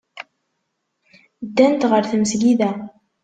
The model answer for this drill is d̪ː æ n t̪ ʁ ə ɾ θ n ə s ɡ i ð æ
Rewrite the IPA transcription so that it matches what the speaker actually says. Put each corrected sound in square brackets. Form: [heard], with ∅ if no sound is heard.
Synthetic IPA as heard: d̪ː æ n t̪ ʁ ə ɾ θ [m] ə s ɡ i ð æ